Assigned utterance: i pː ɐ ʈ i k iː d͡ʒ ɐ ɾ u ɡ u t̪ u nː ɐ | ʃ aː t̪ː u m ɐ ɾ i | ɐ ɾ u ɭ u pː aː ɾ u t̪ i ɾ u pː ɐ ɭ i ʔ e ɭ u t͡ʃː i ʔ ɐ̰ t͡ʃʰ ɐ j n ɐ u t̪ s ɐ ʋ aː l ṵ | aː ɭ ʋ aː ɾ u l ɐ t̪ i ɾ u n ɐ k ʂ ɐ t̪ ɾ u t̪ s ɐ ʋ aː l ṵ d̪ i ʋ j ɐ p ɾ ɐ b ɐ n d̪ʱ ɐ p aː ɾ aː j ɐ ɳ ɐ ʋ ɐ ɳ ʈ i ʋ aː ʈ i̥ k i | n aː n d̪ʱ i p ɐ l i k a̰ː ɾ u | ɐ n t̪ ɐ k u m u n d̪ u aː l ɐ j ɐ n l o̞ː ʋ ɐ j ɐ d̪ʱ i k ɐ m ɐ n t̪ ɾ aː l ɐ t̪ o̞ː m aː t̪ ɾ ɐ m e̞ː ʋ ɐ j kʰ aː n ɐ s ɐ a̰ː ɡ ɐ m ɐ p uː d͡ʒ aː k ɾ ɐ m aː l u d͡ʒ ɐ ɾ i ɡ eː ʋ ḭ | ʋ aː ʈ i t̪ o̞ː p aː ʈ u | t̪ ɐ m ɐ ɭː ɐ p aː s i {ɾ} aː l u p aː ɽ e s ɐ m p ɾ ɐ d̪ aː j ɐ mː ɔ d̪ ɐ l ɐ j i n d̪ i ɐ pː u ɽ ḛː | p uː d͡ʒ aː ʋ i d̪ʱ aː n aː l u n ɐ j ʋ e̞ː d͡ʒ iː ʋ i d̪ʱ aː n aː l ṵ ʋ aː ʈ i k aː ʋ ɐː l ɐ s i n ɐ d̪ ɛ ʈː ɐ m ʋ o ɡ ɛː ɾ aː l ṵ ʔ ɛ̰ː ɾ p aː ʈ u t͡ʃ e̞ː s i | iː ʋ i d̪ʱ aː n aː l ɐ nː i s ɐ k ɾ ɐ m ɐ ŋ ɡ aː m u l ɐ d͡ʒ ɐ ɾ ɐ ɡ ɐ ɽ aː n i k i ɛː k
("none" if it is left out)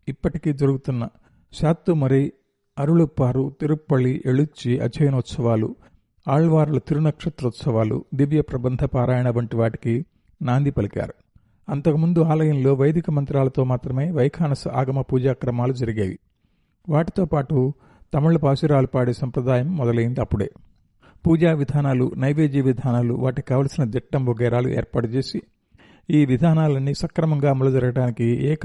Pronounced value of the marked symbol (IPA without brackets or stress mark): ɾ